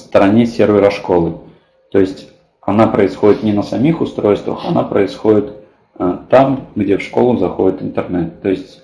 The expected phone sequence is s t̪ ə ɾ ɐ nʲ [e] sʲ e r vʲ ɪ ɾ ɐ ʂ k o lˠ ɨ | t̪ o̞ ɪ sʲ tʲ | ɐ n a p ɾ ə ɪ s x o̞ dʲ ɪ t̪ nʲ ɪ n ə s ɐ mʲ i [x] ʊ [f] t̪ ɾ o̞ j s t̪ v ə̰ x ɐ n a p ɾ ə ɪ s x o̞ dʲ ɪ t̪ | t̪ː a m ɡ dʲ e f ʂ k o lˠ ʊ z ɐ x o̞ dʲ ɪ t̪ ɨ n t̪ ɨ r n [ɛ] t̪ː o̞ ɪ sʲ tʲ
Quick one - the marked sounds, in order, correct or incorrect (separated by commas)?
correct, correct, incorrect, correct